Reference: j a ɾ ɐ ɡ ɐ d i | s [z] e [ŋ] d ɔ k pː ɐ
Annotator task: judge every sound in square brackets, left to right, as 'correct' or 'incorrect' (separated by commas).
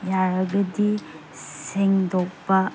incorrect, correct